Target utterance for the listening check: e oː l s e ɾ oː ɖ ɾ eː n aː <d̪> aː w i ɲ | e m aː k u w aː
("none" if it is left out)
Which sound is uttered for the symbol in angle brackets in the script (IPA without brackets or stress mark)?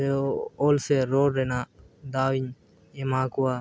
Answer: d̪